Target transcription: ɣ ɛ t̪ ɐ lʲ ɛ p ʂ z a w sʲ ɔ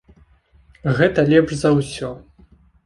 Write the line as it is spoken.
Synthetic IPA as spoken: ɣ ɛ t̪ ɐ lʲ ɛ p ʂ z ɐ w sʲ ɔ